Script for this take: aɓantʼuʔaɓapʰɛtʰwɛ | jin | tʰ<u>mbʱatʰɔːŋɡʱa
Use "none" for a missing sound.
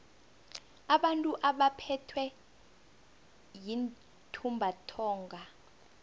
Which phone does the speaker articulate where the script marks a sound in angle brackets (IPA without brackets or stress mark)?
u